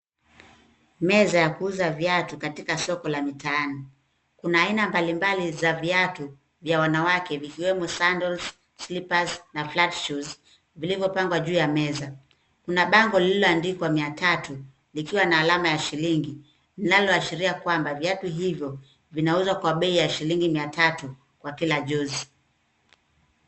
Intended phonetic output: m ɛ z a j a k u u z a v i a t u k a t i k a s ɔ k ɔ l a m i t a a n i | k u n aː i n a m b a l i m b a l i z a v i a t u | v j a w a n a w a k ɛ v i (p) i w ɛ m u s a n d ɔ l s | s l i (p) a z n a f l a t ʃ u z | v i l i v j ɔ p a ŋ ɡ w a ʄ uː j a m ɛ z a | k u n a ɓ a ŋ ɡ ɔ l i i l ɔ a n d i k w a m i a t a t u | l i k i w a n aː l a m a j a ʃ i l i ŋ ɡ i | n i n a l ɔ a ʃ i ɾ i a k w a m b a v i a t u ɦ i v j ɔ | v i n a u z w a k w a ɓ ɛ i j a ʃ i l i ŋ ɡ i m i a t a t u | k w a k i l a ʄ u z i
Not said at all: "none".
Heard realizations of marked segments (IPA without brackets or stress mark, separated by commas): k, p